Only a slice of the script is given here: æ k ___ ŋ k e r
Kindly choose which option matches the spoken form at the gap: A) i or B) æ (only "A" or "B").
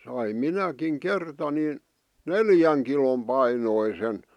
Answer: A